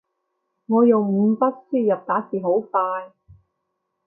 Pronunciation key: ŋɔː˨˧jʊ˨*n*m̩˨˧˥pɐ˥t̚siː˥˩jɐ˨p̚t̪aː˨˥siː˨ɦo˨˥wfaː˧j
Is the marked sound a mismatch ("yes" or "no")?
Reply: yes